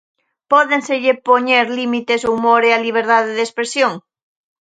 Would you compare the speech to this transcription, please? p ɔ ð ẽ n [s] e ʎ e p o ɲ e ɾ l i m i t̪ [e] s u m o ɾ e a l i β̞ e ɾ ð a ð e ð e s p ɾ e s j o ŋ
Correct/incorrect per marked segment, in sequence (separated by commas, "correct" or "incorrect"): correct, correct